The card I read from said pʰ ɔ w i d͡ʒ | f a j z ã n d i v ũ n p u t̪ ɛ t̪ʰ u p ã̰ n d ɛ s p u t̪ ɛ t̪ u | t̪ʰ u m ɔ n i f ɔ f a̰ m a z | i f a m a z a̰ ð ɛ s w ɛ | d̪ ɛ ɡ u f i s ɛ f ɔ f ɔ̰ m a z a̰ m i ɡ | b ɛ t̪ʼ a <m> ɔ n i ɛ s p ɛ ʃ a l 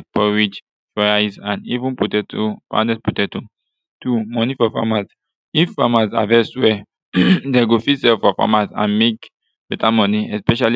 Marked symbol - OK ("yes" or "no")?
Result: yes